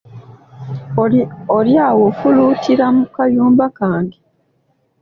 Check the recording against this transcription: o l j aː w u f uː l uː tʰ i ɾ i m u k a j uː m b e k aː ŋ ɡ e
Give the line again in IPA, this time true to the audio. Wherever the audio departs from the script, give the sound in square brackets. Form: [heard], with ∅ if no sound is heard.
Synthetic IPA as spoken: o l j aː w [o] f [u] l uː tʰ i ɾ [a] m u k a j uː m b [a] k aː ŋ ɡ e